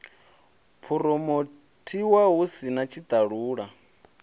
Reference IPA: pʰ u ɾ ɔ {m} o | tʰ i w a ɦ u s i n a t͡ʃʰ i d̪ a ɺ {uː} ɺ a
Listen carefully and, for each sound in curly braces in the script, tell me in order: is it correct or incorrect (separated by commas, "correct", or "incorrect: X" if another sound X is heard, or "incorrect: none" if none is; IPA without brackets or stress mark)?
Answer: correct, correct